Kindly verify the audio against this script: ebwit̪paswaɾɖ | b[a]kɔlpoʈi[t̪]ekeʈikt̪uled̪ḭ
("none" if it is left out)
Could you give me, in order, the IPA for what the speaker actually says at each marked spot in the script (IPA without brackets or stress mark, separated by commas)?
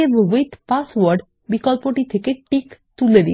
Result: i, t̪ʰ